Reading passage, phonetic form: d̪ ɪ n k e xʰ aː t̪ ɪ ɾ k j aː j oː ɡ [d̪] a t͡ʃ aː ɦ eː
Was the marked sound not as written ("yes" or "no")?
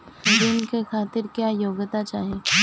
yes